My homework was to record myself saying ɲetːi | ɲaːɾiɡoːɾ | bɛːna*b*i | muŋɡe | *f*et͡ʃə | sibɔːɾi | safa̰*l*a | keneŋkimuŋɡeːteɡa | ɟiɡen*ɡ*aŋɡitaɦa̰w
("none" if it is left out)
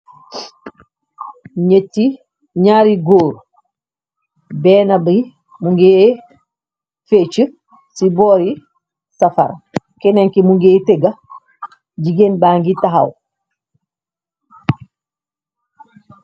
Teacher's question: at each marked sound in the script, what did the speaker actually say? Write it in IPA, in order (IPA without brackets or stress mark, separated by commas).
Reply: b, f, ɾ, b